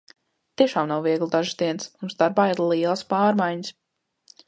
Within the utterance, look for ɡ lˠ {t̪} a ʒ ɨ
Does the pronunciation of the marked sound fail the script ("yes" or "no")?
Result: yes